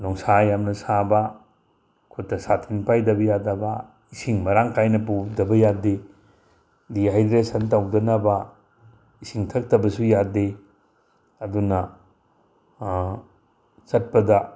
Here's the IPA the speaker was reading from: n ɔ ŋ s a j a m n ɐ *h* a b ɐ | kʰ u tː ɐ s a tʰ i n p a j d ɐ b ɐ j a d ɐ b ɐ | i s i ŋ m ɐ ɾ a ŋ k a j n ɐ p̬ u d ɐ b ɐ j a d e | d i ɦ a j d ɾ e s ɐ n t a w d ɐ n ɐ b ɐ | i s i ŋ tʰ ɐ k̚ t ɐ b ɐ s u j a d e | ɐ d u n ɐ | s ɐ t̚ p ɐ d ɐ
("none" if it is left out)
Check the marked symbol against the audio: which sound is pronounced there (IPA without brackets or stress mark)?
s